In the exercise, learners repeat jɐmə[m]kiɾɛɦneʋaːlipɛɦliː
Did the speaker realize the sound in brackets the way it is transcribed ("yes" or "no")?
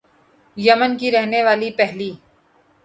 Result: no